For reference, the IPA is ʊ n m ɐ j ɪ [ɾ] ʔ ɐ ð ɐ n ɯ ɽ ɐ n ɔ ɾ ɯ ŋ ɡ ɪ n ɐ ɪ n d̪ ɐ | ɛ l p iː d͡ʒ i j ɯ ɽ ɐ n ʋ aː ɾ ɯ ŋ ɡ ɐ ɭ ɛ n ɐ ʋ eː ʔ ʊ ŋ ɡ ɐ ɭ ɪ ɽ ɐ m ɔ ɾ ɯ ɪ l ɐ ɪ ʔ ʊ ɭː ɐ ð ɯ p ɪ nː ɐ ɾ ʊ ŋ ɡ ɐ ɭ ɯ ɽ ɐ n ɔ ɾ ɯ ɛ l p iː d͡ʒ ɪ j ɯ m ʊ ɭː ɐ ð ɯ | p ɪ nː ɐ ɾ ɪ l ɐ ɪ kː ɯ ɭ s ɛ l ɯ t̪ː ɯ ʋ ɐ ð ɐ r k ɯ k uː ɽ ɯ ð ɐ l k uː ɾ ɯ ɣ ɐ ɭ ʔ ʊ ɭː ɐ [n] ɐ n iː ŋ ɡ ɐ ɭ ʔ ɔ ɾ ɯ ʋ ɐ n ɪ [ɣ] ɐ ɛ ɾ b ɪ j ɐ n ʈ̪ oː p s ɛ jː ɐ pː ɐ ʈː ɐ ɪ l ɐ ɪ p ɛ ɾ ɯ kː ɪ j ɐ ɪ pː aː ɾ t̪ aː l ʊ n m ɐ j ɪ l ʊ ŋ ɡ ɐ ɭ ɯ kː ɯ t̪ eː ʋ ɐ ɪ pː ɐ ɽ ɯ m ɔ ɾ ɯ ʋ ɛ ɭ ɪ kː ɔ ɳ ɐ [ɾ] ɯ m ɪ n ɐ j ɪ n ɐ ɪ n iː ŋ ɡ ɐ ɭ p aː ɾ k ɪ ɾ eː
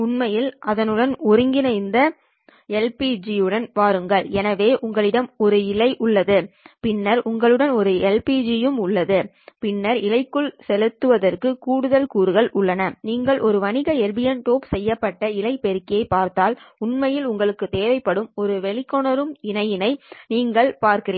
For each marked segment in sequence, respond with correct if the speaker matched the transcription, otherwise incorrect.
incorrect, correct, correct, correct

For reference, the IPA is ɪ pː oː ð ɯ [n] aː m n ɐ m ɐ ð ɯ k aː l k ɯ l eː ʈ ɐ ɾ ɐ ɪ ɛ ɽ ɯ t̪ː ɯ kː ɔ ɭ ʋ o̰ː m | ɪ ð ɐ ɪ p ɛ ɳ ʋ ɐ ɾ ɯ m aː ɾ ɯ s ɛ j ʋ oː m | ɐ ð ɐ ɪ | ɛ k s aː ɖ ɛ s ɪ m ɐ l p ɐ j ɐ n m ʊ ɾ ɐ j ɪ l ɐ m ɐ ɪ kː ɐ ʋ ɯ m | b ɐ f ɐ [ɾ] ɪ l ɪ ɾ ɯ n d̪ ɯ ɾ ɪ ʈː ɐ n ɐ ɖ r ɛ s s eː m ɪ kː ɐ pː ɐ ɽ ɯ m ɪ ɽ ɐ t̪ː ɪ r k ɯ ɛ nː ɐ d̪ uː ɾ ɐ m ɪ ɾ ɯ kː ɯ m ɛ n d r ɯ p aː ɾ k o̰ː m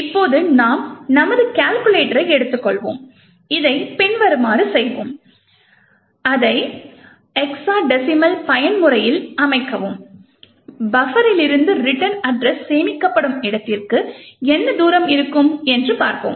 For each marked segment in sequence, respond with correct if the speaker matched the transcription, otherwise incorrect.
correct, correct

